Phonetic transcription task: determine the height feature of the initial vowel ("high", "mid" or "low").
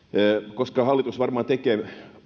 mid